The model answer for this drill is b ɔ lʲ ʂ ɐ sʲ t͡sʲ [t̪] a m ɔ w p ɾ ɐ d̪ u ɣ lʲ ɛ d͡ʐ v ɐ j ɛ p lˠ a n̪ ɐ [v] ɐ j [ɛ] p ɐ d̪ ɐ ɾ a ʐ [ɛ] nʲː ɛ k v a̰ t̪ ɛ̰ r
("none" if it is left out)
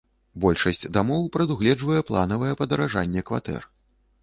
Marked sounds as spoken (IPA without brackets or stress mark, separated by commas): d̪, v, ɛ, a